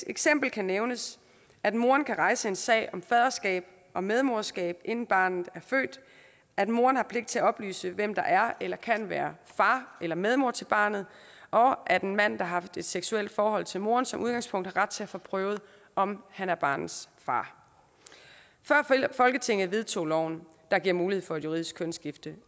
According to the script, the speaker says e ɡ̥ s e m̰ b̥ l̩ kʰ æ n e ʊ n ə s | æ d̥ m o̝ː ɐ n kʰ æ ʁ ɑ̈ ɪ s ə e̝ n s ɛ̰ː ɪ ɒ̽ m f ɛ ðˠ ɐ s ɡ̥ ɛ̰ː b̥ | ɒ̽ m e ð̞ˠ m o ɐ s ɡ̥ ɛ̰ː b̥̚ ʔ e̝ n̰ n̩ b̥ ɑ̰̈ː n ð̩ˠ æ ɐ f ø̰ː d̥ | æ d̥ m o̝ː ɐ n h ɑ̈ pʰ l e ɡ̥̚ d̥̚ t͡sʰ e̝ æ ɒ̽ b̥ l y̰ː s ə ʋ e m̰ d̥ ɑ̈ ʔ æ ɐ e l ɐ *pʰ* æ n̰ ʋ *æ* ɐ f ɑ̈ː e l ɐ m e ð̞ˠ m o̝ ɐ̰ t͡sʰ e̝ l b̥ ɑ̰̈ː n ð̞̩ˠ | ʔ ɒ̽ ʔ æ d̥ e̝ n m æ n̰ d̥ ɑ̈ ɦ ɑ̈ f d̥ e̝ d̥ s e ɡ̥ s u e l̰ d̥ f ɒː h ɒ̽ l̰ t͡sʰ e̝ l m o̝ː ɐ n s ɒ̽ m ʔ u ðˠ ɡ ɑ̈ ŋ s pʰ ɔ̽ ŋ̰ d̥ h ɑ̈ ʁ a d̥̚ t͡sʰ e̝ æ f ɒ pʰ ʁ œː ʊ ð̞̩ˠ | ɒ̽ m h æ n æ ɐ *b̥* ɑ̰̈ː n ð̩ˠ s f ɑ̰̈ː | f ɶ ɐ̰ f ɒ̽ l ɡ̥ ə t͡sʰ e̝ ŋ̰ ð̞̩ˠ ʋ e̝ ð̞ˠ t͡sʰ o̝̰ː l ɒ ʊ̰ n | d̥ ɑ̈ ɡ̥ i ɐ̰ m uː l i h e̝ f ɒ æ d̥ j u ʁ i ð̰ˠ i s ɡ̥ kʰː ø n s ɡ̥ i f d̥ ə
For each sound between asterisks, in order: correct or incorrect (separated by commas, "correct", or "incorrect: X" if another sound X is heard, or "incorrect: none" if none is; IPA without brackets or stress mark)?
incorrect: kʰ, incorrect: æː, correct